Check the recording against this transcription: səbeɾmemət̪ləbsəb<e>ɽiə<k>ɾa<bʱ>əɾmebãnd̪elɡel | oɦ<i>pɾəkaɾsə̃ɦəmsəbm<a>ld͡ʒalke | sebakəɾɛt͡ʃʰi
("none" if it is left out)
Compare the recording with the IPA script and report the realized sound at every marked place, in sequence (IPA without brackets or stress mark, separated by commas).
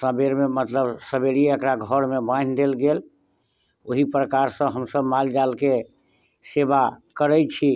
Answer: e, k, ɡʱ, i, a